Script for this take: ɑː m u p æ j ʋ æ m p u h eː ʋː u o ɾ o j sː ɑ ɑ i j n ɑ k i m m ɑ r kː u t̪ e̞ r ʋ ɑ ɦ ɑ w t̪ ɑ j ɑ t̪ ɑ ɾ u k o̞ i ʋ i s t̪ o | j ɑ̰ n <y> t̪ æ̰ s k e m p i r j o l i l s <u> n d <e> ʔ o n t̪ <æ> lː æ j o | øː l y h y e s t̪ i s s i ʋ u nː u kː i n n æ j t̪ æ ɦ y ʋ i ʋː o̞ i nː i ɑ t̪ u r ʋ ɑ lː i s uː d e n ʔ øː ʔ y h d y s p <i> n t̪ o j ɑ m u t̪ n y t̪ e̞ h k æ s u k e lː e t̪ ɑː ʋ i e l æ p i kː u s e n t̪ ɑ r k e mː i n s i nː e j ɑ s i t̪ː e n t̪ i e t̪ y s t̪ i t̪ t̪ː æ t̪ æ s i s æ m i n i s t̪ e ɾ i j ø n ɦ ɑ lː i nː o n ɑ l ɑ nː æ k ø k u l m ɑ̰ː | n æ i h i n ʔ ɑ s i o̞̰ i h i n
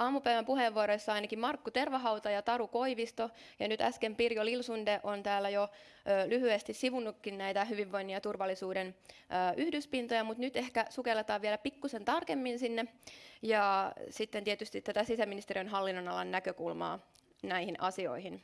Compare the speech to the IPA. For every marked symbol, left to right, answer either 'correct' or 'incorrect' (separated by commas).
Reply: correct, correct, correct, incorrect, correct